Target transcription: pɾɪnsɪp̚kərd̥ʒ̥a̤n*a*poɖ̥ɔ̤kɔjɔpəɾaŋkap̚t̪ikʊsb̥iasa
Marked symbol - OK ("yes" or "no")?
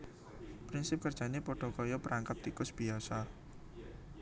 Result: no